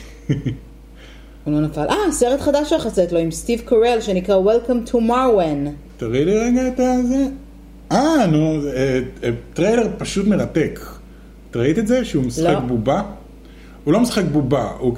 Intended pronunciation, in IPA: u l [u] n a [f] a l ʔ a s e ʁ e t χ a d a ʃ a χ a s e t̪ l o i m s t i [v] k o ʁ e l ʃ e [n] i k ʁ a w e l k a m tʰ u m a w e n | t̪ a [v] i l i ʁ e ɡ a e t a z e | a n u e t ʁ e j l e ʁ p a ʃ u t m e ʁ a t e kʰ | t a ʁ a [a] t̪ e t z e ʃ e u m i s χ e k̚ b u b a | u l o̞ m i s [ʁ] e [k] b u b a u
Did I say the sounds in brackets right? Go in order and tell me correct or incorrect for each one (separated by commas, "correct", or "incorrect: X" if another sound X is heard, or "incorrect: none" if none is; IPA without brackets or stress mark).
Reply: incorrect: o, correct, correct, correct, incorrect: ʁ, incorrect: i, incorrect: χ, correct